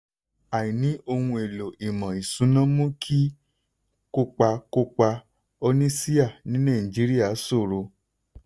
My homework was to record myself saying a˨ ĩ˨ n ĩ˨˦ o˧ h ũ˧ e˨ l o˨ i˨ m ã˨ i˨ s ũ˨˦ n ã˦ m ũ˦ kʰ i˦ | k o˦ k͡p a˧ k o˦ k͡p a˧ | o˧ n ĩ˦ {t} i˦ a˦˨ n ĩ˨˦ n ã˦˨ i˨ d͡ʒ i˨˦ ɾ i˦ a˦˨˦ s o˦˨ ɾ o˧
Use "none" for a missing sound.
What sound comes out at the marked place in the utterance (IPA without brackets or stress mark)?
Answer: s